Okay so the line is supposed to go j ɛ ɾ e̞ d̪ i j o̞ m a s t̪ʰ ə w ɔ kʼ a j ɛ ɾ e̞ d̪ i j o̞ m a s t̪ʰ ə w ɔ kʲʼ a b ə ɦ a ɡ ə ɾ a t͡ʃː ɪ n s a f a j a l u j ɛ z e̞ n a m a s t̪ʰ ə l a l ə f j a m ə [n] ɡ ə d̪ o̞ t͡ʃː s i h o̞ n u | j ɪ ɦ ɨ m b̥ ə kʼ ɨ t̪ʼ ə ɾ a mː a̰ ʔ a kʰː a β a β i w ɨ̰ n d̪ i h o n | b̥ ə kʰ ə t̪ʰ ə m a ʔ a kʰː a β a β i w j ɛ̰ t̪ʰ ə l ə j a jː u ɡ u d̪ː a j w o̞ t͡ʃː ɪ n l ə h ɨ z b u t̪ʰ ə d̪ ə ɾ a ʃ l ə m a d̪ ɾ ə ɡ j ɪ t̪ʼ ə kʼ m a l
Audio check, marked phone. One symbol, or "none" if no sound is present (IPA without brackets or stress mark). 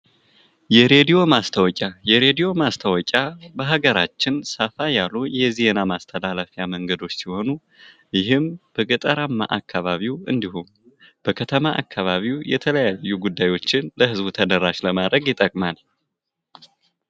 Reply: ŋ